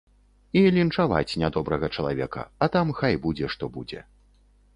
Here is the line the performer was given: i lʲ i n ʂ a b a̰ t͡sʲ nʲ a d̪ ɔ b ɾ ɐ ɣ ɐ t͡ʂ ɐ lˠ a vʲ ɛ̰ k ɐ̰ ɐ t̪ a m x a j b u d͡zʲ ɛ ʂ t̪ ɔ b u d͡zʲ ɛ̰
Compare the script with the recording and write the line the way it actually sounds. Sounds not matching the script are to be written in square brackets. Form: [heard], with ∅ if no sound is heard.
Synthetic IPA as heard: i lʲ i n [t͡ʂ] a [v] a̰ t͡sʲ nʲ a d̪ ɔ b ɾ ɐ ɣ ɐ t͡ʂ ɐ lˠ a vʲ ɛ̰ k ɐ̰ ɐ t̪ a m x a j b u d͡zʲ ɛ ʂ t̪ ɔ b u d͡zʲ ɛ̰